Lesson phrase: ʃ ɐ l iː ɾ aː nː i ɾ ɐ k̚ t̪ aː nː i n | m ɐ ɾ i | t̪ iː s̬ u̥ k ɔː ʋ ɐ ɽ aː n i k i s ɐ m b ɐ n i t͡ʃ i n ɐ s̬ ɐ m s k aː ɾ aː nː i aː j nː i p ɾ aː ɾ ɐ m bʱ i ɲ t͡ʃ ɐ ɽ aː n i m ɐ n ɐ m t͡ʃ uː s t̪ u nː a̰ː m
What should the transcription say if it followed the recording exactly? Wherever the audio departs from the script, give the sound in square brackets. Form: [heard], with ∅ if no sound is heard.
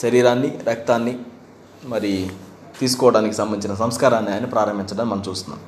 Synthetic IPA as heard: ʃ ɐ [ɾ] iː ɾ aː nː i ɾ ɐ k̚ t̪ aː nː i [∅] | m ɐ ɾ i | t̪ iː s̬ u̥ k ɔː ʋ ɐ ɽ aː n i k i s ɐ m b ɐ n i t͡ʃ i n ɐ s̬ ɐ m s k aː ɾ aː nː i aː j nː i p ɾ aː ɾ ɐ m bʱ i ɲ t͡ʃ ɐ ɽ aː n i m ɐ n ɐ m t͡ʃ uː s t̪ u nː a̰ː m